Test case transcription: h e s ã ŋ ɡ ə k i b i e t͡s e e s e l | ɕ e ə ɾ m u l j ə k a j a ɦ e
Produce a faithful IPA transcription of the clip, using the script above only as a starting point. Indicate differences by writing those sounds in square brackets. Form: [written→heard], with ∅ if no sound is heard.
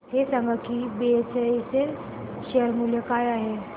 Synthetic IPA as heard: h e s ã ŋ ɡ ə k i b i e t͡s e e s e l | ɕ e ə ɾ m u l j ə k a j a ɦ e